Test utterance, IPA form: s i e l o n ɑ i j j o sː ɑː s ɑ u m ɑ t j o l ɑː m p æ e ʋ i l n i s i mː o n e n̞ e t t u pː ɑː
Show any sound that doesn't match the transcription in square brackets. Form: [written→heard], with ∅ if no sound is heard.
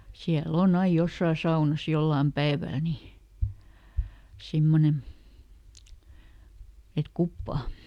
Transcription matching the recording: s i [e→æ] l o n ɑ i j j o sː ɑː s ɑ u [m→n] ɑ [t→s] j o [l→lː] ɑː m p æ e ʋ [i→æ] l n i s i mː o n e n̞ e t [t→k] u pː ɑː